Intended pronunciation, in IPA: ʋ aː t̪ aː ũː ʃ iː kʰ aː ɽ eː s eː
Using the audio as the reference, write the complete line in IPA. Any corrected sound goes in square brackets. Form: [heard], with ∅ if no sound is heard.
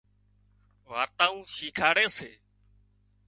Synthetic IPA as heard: ʋ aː t̪ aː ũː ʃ iː kʰ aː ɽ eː s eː